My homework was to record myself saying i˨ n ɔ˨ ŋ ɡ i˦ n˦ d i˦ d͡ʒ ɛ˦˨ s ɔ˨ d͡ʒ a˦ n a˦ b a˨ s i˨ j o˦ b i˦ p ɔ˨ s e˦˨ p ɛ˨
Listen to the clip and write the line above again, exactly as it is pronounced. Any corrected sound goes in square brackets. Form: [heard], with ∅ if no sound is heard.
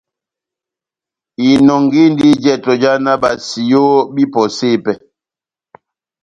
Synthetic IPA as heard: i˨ n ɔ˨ ŋ ɡ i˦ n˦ d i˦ d͡ʒ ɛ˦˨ [t] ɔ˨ d͡ʒ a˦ n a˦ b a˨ s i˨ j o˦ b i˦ p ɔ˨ s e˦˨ p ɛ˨

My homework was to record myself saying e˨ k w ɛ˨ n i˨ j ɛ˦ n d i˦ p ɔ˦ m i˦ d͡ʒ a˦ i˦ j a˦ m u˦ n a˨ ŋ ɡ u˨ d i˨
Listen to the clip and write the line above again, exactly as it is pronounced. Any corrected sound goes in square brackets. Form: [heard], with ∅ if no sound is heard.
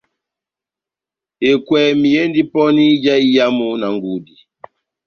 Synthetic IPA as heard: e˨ k w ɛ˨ [m] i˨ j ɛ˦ n d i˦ p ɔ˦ [n] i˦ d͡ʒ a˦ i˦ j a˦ m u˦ n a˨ ŋ ɡ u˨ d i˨

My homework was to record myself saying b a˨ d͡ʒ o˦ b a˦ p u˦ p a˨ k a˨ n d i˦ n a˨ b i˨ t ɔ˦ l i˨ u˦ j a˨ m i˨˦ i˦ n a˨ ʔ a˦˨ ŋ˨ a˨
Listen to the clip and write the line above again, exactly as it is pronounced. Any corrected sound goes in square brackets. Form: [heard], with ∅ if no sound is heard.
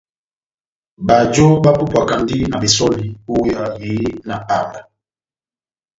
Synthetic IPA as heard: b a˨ d͡ʒ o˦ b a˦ p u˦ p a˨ k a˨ n d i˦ n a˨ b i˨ [s] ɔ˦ l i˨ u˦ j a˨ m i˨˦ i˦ n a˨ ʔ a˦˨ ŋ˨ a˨

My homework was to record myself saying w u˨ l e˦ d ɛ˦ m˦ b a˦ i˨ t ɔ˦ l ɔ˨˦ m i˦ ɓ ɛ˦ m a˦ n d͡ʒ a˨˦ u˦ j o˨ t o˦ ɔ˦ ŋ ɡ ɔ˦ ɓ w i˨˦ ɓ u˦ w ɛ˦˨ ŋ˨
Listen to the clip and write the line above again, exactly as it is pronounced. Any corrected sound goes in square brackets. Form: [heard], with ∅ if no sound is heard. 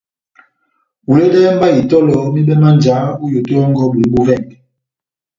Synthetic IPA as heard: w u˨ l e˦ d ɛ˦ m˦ b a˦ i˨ t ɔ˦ l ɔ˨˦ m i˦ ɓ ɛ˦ m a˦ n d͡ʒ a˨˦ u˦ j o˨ t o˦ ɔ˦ ŋ ɡ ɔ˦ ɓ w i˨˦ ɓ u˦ [v] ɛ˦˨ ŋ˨

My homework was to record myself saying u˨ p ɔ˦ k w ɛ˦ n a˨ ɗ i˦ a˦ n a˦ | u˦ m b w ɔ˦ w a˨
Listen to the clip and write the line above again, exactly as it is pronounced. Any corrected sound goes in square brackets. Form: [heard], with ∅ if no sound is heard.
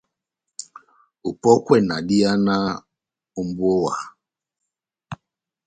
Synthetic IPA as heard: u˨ p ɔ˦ k w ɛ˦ n a˨ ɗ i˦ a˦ n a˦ | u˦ m b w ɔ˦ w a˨

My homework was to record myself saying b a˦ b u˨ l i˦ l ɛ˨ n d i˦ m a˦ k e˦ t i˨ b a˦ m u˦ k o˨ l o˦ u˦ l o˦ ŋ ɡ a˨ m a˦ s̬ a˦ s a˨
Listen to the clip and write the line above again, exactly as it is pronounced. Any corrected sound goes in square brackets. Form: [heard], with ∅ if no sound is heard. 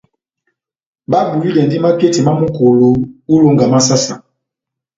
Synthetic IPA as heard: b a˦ b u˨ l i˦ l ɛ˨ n d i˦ m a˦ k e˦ t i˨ [m] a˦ m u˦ k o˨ l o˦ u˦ l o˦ ŋ ɡ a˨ m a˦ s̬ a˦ s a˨

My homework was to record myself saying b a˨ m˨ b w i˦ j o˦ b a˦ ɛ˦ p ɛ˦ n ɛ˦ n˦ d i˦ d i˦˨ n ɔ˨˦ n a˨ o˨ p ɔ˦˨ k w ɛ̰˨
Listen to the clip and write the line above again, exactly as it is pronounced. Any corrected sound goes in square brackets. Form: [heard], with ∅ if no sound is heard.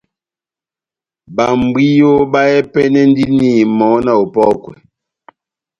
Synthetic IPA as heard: b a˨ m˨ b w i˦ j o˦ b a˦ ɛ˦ p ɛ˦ n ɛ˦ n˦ d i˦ [n] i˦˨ [m] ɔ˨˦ n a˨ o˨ p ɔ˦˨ k w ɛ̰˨

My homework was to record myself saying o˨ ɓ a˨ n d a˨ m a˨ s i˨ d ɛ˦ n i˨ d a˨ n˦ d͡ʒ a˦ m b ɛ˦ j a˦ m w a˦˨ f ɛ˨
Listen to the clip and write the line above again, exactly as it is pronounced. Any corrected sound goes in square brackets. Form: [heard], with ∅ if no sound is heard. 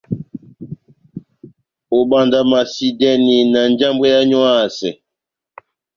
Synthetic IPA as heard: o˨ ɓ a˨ n d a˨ m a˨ s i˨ d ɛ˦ n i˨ [n] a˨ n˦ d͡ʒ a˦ m b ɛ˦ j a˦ [ɲ] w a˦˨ [s] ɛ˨

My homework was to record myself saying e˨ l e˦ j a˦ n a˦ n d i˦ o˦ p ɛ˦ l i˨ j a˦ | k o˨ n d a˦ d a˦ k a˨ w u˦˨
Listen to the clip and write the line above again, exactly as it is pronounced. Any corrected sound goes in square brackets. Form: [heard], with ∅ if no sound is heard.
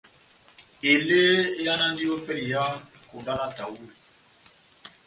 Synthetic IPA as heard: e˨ l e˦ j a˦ n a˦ n d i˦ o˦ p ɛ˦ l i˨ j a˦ | k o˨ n d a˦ [n] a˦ [t] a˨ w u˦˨

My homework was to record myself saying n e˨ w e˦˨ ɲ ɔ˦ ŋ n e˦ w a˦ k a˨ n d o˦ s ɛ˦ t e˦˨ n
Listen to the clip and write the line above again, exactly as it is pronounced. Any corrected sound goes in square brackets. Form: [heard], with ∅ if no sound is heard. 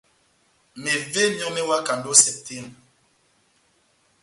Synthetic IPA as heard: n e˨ [v] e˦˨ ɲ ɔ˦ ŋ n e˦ w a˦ k a˨ n d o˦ s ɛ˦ t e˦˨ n

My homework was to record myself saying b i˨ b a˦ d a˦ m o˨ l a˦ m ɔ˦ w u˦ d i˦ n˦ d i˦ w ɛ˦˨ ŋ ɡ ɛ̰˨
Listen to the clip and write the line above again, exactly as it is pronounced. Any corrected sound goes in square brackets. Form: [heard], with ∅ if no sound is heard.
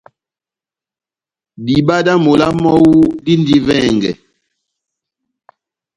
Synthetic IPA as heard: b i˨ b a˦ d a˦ m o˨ l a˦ m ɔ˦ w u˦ d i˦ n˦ d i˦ [v] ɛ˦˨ ŋ ɡ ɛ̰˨

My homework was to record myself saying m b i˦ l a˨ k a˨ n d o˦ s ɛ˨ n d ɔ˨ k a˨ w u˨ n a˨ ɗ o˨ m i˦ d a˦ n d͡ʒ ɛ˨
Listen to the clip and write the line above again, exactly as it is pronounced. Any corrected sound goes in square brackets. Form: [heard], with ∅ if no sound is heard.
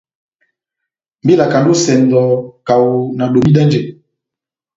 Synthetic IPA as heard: m b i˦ l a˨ k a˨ n d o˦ s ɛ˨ n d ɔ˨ k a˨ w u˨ n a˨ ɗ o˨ m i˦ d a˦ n d͡ʒ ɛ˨

